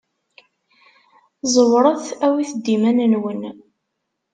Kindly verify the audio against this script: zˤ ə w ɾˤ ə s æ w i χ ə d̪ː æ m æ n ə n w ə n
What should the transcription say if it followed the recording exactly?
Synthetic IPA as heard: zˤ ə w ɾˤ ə θ æ w i θ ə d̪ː i m æ n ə n w ə n